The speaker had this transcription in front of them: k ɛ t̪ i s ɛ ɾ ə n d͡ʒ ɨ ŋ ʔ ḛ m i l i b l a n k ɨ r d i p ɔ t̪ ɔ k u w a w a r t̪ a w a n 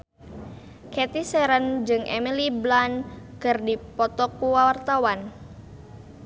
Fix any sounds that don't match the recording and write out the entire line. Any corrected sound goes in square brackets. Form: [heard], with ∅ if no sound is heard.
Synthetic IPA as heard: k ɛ t̪ i s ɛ ɾ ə n d͡ʒ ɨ ŋ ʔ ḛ m i l i b l a n k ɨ r d i p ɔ t̪ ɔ k u w a w a r t̪ a w a n